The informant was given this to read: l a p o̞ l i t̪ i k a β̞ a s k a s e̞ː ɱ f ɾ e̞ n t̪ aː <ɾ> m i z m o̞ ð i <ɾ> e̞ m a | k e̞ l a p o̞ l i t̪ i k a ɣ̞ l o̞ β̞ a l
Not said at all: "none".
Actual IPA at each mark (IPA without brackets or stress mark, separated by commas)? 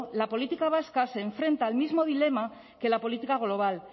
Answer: l, l